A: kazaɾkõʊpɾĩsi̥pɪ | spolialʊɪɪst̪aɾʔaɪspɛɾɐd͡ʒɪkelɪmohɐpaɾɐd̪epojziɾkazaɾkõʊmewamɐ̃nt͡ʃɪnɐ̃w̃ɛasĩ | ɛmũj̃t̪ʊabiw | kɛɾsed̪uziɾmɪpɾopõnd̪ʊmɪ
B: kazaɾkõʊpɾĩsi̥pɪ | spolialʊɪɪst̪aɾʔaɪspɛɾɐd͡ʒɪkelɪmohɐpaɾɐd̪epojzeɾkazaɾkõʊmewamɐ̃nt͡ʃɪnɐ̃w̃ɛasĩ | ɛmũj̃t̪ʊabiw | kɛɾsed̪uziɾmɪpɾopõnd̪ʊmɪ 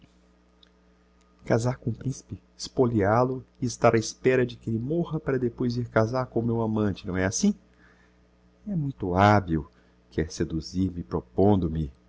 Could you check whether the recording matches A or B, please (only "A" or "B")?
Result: A